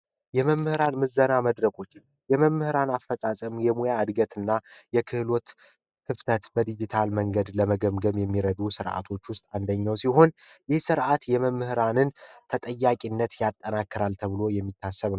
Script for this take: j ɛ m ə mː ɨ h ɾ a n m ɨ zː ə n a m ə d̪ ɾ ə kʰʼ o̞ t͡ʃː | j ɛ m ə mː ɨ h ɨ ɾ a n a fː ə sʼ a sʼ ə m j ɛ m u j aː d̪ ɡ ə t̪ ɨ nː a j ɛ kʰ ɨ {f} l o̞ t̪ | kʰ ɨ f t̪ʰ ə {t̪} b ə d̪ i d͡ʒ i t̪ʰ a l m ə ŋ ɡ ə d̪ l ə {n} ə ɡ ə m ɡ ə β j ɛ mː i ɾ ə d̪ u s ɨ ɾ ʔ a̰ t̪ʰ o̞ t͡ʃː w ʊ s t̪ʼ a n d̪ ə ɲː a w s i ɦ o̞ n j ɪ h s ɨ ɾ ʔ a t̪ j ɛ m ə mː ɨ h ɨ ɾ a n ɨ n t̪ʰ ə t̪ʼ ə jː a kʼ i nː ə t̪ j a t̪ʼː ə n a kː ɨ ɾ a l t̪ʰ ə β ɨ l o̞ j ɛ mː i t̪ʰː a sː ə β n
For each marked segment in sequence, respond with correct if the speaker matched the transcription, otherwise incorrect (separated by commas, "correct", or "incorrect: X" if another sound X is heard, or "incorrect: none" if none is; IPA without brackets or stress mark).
incorrect: h, correct, incorrect: m